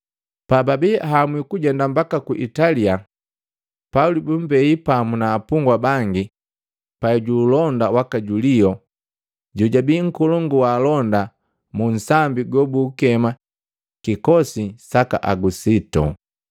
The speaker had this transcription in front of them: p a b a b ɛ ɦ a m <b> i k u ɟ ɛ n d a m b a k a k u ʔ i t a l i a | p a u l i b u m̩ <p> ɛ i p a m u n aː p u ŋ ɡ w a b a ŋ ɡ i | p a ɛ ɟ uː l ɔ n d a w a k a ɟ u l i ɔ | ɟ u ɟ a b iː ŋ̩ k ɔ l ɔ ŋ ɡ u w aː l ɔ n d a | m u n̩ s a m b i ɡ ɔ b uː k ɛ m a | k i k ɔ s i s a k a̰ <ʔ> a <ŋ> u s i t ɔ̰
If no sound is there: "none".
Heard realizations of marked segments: w, b, ʔ, ɡ

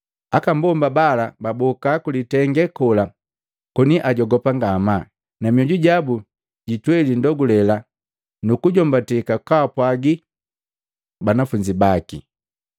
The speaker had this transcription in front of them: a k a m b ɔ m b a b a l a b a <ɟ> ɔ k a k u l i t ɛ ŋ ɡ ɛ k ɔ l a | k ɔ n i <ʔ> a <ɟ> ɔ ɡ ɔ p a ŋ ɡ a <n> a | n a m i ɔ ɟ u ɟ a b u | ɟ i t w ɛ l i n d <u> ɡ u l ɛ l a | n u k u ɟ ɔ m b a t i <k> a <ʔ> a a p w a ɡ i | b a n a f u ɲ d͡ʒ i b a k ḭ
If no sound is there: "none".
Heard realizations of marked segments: b, ʔ, ɟ, m, ɔ, k, k

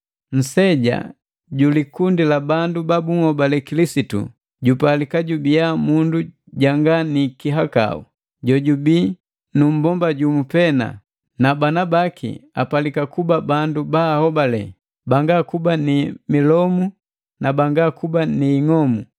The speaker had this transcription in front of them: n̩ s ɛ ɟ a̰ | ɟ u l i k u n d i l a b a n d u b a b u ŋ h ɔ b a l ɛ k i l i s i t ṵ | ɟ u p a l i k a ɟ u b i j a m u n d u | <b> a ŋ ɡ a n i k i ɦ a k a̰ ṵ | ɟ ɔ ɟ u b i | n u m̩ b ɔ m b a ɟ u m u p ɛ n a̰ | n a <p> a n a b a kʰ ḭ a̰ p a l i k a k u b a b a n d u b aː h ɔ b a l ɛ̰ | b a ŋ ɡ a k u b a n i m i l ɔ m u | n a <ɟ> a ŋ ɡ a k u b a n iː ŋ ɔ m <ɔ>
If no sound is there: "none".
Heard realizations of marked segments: ɟ, b, b, u

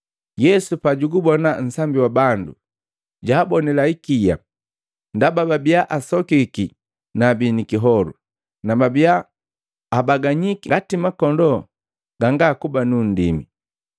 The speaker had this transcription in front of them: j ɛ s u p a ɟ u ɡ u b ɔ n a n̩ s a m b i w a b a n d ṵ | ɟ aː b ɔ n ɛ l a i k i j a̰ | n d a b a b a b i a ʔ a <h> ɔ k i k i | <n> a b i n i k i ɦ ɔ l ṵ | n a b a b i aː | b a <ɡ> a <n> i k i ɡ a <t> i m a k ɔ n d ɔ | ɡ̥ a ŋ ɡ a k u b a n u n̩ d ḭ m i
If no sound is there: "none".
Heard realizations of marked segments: s, n, ɡ, ɲ, t

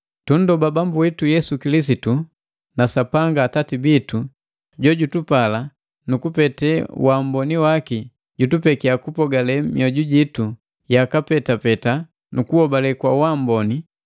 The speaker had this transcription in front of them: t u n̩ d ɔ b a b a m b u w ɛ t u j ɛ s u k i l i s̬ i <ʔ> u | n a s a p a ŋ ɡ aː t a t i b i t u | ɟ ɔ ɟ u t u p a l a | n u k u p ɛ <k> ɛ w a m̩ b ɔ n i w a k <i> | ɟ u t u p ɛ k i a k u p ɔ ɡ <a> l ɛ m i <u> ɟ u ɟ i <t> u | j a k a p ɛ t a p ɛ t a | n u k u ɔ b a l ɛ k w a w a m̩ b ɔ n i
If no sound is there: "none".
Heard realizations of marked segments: t, t, i, a, ɔ, t

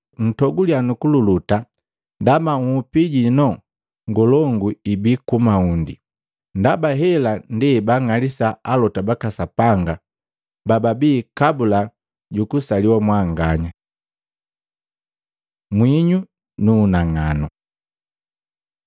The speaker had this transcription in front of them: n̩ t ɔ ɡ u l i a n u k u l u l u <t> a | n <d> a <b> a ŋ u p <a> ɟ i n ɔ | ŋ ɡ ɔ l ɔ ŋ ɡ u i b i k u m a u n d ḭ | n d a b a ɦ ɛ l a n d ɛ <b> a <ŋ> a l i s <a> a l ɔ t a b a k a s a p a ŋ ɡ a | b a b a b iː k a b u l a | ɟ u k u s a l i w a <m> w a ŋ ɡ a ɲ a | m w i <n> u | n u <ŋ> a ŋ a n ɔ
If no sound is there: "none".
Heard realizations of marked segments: t, d, m, i, b, ŋ, a, m, ɲ, n

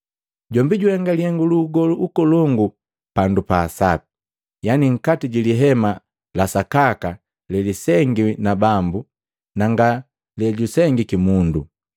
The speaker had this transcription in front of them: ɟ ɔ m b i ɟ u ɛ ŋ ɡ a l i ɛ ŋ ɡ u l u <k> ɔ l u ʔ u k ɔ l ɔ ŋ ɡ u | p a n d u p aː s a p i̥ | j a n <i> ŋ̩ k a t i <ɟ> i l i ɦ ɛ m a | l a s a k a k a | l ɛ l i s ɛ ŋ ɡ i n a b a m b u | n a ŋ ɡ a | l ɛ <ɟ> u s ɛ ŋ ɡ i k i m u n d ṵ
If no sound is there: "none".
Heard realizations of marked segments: ɡ, i, ɟ, ɟ

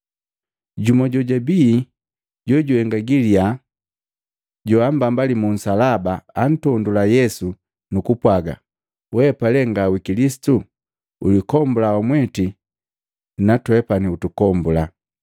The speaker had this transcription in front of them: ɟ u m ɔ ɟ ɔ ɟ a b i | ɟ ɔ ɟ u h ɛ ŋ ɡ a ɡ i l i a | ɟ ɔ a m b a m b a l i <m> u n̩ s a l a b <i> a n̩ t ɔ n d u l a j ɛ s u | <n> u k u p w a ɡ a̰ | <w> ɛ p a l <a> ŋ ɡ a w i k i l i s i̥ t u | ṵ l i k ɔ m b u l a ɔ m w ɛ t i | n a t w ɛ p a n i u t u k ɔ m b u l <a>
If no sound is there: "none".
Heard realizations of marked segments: m, a, n, w, ɛ, a

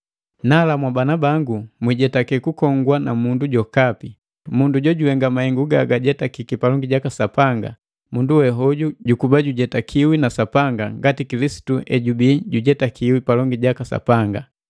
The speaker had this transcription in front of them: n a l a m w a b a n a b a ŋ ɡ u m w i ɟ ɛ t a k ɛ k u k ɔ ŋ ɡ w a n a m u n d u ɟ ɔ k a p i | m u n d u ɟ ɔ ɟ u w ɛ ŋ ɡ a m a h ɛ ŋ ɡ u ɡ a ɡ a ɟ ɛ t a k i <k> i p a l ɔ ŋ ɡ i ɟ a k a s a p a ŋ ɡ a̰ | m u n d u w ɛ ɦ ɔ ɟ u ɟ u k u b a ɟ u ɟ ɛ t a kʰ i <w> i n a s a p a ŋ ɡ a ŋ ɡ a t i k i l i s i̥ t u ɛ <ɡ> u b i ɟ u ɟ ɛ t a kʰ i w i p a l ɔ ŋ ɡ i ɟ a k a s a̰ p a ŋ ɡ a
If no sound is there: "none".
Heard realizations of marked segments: k, w, ɟ

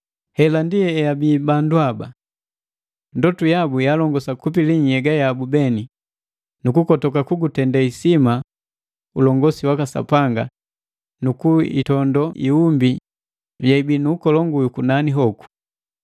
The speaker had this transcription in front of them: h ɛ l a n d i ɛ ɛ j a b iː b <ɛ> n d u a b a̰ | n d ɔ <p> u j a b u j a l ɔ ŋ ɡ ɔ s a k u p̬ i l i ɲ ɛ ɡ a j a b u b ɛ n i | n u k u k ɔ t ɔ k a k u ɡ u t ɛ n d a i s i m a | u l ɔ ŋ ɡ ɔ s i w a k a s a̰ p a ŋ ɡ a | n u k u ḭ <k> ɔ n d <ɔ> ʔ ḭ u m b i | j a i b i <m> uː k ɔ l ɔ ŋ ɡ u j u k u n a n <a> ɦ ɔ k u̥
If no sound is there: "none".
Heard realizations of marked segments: a, t, t, ɔ, n, i

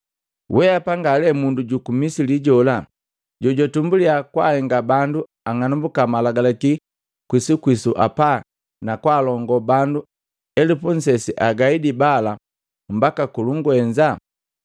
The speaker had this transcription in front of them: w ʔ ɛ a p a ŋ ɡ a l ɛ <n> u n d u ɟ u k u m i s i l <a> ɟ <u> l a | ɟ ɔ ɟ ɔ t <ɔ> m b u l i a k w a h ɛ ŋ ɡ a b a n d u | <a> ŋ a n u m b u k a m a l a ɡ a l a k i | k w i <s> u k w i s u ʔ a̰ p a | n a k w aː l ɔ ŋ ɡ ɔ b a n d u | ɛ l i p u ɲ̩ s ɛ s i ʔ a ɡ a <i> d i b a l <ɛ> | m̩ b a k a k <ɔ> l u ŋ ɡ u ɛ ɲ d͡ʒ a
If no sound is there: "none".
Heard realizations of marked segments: m, i, ɔ, u, a, s, i, a, u

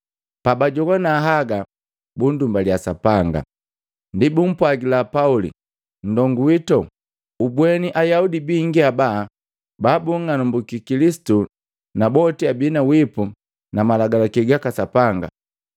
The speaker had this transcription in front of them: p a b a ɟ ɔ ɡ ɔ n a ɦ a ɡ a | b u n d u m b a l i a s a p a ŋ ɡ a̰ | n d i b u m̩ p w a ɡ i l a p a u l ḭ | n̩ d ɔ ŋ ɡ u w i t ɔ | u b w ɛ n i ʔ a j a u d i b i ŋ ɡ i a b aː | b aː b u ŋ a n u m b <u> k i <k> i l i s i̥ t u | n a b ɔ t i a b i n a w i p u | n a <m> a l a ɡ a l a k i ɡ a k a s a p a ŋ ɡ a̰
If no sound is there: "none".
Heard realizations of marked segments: u, k, m

